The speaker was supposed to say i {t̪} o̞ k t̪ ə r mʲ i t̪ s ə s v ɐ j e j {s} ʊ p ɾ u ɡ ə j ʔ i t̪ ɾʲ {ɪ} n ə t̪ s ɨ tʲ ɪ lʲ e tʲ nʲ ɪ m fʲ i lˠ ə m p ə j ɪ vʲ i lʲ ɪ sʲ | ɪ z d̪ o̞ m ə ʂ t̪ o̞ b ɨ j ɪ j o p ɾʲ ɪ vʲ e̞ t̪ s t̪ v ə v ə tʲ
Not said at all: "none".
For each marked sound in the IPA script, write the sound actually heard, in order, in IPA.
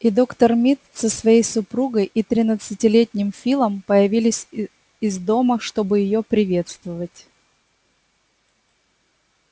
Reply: d̪, s, ɪ

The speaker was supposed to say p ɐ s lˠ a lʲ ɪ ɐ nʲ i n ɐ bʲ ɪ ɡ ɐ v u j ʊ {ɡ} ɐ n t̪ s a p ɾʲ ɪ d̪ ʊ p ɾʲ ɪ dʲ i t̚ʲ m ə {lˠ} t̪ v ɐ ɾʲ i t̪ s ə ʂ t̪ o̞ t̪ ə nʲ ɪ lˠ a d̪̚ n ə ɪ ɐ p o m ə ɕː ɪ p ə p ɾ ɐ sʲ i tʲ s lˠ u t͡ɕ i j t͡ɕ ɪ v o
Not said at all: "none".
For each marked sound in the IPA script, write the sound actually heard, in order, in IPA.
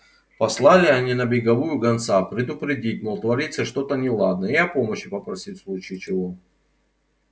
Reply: ɡ, lˠ

